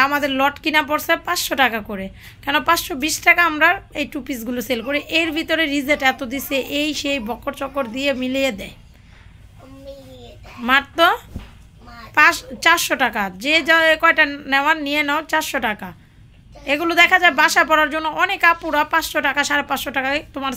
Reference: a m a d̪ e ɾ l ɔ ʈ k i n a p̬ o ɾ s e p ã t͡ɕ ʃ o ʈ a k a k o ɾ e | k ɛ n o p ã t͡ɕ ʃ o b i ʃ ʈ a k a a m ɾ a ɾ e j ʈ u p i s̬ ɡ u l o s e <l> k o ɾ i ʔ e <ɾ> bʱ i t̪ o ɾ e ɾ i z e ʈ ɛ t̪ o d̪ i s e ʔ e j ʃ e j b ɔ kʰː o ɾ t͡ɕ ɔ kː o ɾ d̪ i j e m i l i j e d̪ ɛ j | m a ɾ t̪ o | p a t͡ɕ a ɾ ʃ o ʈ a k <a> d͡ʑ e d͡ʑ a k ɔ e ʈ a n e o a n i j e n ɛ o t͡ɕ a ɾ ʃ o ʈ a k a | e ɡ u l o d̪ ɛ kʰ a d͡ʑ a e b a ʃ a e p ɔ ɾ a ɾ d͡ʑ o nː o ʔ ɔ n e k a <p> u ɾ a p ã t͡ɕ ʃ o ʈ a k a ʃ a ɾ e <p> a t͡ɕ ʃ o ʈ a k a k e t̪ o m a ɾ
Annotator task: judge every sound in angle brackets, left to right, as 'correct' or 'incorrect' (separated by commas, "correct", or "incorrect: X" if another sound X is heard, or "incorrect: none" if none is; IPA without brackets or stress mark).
correct, correct, correct, correct, correct